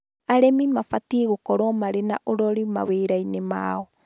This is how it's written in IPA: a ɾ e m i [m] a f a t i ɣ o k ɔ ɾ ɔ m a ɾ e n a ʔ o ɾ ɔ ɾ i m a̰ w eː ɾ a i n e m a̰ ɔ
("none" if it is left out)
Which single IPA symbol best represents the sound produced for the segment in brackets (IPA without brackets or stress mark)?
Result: m